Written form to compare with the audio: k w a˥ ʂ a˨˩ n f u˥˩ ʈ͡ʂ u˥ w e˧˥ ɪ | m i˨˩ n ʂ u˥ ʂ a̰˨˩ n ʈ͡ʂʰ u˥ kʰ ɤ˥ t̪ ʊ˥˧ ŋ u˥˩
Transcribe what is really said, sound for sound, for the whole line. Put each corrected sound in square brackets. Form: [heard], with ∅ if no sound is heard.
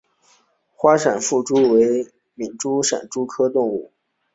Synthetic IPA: [x] w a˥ ʂ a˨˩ n f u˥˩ ʈ͡ʂ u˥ w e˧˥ ɪ | m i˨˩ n [ʈ͡ʂ] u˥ ʂ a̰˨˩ n [ʈ͡ʂ] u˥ kʰ ɤ˥ t̪ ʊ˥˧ ŋ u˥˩

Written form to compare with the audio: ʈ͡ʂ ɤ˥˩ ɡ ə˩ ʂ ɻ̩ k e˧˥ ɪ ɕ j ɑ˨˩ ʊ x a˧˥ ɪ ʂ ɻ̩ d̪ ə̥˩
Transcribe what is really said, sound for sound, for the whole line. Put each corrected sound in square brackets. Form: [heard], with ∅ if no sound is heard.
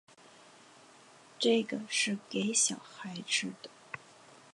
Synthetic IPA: ʈ͡ʂ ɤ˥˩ ɡ ə˩ ʂ ɻ̩ k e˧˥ ɪ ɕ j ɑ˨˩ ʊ x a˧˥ ɪ [ʈ͡ʂ] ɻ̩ d̪ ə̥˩

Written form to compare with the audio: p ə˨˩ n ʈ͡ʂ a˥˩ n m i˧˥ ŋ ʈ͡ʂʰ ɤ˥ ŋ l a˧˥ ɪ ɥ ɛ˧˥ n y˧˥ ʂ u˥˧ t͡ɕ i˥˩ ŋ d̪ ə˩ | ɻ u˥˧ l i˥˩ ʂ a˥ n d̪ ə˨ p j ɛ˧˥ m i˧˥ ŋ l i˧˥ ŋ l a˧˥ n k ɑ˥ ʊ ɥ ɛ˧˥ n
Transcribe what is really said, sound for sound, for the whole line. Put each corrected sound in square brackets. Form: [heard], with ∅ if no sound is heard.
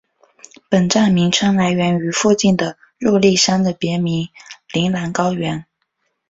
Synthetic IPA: p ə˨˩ n ʈ͡ʂ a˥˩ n m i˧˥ ŋ ʈ͡ʂʰ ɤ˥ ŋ l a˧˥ ɪ ɥ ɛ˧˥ n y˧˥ [f] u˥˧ t͡ɕ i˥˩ [n] d̪ ə˩ | ɻ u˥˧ l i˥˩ ʂ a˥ n d̪ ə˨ p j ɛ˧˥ m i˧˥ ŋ l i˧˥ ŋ l a˧˥ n k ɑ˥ ʊ ɥ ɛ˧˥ n

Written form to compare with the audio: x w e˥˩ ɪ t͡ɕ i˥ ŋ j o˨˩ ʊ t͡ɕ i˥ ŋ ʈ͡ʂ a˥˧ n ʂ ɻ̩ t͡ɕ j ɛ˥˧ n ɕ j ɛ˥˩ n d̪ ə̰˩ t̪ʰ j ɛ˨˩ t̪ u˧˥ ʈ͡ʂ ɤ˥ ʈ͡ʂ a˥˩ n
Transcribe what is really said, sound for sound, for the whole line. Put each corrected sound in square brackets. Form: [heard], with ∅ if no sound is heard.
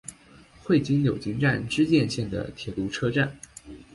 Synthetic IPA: x w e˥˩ ɪ t͡ɕ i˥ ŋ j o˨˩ ʊ t͡ɕ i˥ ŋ ʈ͡ʂ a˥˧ n [ʈ͡ʂ] ɻ̩ t͡ɕ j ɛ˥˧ n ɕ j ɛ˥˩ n d̪ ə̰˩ t̪ʰ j ɛ˨˩ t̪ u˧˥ [ʈ͡ʂʰ] ɤ˥ ʈ͡ʂ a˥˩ n

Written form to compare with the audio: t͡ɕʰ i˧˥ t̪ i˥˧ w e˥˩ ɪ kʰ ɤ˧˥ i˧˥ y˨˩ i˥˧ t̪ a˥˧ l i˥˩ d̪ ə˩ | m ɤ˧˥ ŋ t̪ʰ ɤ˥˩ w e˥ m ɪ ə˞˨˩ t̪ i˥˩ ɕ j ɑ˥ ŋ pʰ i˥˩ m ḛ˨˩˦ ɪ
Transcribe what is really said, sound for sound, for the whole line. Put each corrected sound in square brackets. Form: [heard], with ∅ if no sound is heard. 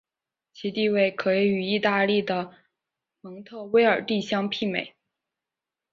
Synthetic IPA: t͡ɕʰ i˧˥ t̪ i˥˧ w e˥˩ ɪ kʰ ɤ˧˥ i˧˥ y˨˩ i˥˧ t̪ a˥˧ l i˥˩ d̪ ə˩ | m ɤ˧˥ ŋ t̪ʰ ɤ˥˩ w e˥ [∅] ɪ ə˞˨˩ t̪ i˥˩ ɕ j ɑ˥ ŋ pʰ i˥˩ m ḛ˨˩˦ ɪ

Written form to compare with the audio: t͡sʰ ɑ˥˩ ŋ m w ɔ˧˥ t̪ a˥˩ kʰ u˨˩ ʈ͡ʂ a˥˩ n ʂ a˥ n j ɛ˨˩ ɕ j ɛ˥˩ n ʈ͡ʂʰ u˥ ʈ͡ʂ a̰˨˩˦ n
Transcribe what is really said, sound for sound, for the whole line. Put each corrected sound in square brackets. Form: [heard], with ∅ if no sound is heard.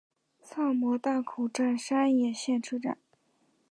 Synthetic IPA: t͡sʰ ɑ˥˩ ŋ m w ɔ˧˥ t̪ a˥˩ kʰ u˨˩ ʈ͡ʂ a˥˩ n ʂ a˥ n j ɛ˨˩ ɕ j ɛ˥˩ n ʈ͡ʂʰ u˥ ʈ͡ʂ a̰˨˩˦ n

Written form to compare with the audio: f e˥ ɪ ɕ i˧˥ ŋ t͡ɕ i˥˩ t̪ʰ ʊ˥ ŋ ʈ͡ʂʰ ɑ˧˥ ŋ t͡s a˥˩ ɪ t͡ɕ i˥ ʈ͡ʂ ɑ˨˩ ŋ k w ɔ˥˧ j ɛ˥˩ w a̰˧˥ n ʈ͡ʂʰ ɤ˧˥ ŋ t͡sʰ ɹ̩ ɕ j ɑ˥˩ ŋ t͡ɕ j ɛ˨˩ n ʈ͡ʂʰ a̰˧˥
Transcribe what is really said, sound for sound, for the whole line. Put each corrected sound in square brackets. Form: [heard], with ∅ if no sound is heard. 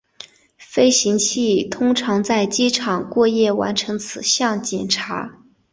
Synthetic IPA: f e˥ ɪ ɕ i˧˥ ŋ [t͡ɕʰ] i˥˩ t̪ʰ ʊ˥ ŋ ʈ͡ʂʰ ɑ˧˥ ŋ t͡s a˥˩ ɪ t͡ɕ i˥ [ʈ͡ʂʰ] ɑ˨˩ ŋ k w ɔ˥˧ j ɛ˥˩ w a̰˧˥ n ʈ͡ʂʰ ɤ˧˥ ŋ t͡sʰ ɹ̩ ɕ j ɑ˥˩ ŋ t͡ɕ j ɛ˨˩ n ʈ͡ʂʰ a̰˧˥

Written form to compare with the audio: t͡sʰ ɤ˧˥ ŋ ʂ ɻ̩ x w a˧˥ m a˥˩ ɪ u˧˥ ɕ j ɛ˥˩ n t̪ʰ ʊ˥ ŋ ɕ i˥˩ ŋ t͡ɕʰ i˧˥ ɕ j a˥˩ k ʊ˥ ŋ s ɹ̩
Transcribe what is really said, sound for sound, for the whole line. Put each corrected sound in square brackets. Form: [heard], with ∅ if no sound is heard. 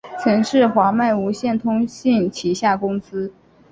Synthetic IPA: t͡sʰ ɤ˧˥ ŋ ʂ ɻ̩ x w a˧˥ m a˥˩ ɪ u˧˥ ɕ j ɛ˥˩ n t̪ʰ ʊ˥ ŋ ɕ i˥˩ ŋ t͡ɕʰ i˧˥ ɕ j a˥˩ k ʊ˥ ŋ s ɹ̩

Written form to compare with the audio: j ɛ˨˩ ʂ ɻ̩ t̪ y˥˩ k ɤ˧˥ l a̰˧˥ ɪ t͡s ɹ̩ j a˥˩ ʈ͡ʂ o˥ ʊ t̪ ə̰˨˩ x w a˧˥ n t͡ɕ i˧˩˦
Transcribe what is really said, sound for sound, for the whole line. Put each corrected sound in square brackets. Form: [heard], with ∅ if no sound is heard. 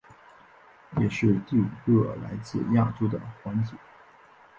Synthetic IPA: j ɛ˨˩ ʂ ɻ̩ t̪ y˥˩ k [ɤ˥˩] l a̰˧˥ ɪ t͡s ɹ̩ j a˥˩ ʈ͡ʂ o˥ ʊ [d̪] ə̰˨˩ x w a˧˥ n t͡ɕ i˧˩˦

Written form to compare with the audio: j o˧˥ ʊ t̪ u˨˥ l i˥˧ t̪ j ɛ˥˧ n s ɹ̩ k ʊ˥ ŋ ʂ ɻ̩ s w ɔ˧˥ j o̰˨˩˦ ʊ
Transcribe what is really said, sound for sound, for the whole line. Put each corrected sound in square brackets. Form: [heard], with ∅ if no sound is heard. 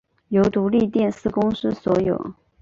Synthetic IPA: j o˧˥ ʊ t̪ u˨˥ l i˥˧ t̪ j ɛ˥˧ n s ɹ̩ k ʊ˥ ŋ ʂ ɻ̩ s w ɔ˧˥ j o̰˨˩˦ ʊ

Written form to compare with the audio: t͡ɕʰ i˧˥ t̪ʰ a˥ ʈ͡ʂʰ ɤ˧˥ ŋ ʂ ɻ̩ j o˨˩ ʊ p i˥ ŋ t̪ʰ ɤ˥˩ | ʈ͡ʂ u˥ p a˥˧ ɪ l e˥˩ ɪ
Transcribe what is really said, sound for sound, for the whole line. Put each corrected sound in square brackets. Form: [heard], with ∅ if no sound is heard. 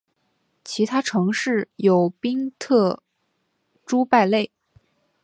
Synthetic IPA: t͡ɕʰ i˧˥ t̪ʰ a˥ ʈ͡ʂʰ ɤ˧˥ ŋ ʂ ɻ̩ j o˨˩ ʊ p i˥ ŋ t̪ʰ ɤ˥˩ | ʈ͡ʂ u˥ p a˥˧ ɪ l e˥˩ ɪ

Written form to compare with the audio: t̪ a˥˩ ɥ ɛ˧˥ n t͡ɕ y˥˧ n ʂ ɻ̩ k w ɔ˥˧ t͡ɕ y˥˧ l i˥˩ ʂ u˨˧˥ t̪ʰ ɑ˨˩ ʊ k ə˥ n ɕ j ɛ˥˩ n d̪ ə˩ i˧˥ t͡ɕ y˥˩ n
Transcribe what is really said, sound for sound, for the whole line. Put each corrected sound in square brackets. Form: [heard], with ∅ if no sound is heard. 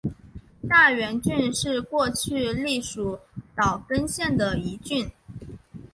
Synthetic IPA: t̪ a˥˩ ɥ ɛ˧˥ n t͡ɕ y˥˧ n ʂ ɻ̩ k w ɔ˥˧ [t͡ɕʰ] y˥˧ l i˥˩ ʂ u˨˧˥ [t̪] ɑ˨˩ ʊ k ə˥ n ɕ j ɛ˥˩ n d̪ ə˩ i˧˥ t͡ɕ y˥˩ n

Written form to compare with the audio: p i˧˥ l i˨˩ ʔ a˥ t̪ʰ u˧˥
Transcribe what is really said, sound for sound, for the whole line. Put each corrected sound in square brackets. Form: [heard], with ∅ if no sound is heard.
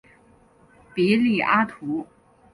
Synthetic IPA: p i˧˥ l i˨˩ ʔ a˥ t̪ʰ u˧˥

